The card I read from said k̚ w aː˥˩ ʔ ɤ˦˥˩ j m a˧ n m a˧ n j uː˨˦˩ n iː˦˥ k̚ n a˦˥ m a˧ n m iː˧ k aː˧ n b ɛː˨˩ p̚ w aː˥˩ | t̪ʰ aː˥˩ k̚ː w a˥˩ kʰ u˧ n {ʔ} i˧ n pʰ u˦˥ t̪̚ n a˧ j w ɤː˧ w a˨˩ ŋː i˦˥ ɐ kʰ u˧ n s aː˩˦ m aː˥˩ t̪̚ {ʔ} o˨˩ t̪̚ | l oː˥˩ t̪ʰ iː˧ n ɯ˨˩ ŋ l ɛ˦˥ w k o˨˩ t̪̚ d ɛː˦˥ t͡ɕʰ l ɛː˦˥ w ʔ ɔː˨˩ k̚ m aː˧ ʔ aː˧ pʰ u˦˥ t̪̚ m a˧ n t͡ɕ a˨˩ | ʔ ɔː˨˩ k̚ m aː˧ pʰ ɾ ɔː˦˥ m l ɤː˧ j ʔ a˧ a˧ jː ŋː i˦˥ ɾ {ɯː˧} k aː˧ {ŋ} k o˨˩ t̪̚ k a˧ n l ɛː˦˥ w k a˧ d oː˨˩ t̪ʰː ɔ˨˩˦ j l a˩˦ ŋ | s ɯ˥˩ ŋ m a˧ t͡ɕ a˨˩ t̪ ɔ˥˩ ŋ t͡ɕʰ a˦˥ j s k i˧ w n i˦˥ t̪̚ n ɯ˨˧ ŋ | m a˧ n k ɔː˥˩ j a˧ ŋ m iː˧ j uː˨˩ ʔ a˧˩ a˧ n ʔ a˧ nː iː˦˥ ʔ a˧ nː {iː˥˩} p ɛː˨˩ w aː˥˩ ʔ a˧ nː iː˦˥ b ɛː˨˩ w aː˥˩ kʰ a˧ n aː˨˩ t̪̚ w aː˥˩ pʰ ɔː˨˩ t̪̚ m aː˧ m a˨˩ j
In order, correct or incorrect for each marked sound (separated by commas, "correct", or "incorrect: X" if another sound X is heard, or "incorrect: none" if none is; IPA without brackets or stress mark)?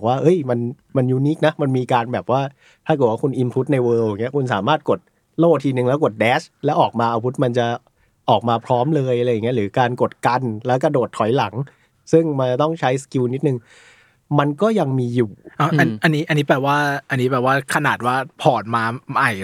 correct, incorrect: k, incorrect: ɯː˩˦, incorrect: n, incorrect: iː˦˥